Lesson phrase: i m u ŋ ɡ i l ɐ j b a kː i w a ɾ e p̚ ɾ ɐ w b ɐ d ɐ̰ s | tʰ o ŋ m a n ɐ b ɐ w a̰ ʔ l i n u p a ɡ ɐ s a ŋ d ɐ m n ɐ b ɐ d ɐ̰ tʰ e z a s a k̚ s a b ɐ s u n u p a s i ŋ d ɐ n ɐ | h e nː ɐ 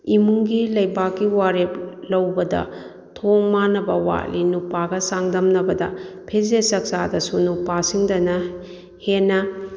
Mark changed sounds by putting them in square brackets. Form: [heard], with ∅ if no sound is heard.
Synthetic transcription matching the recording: i m u ŋ ɡ i l ɐ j b a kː i w a ɾ e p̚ [l] ɐ w b ɐ d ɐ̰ [∅] | tʰ o ŋ m a n ɐ b ɐ w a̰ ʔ l i n u p a ɡ ɐ s a ŋ d ɐ m n ɐ b ɐ d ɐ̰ [pʰ] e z [e] s [ɐ] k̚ s a [d] ɐ s u n u p a s i ŋ d ɐ n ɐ | h e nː ɐ